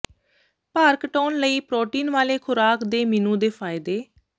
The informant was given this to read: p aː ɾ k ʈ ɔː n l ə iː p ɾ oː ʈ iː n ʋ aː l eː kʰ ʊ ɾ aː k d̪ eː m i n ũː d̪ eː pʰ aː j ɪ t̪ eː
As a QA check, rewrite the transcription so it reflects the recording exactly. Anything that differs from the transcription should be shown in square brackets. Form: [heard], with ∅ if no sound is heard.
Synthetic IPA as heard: p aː ɾ k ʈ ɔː n l ə iː p ɾ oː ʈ iː n ʋ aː l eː kʰ ʊ ɾ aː k d̪ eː m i n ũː d̪ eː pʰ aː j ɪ [d̪] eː